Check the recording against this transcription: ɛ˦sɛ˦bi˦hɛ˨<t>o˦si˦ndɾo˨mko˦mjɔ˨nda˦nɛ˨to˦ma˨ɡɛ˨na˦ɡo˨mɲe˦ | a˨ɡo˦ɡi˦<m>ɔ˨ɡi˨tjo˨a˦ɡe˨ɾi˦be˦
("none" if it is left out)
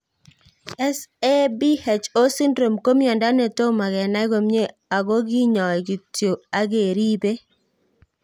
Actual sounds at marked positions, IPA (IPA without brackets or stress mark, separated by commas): t͡ʃ, ɲ